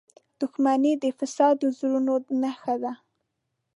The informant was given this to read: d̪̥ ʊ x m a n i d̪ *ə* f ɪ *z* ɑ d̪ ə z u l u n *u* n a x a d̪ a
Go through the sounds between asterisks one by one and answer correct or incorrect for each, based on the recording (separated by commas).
correct, incorrect, incorrect